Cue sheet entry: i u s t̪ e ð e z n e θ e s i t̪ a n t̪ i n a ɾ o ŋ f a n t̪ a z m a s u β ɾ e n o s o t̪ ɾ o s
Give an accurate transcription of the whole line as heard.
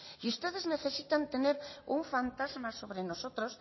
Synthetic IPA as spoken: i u s t̪ e ð e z n e θ e s i t̪ a n t̪ e n e ɾ u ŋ f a n t̪ a z m a s o β ɾ e n o s o t̪ ɾ o s